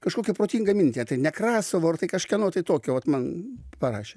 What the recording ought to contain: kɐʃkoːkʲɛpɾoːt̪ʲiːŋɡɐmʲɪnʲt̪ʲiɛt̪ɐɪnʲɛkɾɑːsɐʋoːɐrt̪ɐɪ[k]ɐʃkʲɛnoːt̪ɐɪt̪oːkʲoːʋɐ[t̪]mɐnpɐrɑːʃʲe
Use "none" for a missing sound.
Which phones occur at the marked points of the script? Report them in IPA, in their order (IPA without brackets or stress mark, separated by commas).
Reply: k, t̪